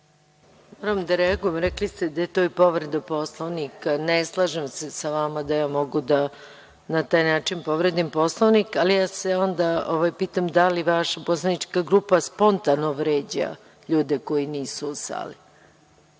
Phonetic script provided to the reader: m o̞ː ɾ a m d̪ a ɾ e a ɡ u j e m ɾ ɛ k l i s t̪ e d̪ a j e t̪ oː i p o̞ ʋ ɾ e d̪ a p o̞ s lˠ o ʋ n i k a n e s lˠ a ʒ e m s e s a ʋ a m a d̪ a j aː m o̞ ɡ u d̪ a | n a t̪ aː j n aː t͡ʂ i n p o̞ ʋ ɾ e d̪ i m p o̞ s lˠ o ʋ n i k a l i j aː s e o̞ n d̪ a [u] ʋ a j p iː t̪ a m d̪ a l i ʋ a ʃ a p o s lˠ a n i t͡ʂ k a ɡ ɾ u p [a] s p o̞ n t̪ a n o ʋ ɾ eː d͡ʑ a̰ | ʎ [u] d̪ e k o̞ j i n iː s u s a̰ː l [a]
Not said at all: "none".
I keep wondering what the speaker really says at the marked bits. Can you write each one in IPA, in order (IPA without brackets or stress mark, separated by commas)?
o, a, uː, i